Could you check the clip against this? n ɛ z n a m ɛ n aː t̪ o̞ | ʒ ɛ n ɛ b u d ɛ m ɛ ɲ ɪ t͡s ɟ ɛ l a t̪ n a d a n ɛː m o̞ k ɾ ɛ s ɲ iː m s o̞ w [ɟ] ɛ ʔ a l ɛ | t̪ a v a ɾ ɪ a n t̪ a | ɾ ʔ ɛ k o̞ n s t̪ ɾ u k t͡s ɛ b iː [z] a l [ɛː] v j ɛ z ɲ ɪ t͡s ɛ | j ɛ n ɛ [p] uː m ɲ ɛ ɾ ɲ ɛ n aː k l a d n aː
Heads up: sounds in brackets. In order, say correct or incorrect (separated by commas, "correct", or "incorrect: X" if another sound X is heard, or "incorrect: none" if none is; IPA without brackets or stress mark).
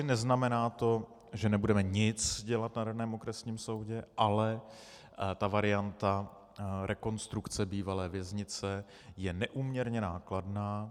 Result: correct, incorrect: v, correct, incorrect: ʔ